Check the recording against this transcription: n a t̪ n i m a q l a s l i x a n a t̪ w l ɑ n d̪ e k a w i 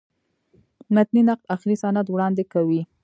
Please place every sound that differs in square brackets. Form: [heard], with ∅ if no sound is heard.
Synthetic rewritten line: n a t̪ n i [n] a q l a [x] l i [s] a n a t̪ w [ɽ] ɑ n d̪ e k a w i